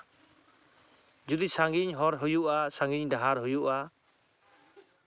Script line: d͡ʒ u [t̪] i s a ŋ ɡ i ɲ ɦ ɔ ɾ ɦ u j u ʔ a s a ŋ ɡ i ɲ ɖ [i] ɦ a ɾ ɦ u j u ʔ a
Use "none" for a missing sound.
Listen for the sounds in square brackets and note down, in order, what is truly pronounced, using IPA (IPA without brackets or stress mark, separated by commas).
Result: d̪, a